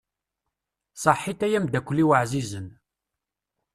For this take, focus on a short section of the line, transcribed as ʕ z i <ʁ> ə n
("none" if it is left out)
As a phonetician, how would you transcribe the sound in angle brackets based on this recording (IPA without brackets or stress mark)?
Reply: z